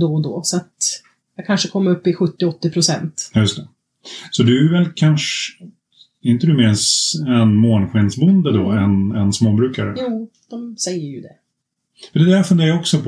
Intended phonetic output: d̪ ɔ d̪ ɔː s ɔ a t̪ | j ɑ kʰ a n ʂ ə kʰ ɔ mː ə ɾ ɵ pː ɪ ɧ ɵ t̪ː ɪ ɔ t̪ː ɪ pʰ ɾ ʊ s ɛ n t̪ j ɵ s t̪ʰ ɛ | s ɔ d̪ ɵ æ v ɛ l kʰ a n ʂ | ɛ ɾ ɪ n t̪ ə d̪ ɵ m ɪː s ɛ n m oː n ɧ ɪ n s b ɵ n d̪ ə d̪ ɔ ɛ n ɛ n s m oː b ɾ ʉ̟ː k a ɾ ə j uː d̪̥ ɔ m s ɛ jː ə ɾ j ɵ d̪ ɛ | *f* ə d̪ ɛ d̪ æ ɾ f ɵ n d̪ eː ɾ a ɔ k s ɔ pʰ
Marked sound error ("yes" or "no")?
no